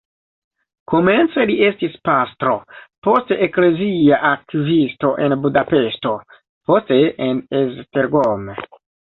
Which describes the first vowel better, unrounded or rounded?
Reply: rounded